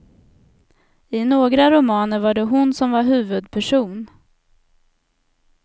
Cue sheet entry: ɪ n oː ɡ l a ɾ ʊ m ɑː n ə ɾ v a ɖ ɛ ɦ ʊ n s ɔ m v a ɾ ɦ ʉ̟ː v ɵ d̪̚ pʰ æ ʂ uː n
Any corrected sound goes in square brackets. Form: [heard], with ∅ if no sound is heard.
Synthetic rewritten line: ɪ n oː ɡ [ɾ] a ɾ ʊ m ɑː n ə ɾ v a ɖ ɛ ɦ ʊ n s ɔ m v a ɾ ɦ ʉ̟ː v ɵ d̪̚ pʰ æ ʂ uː n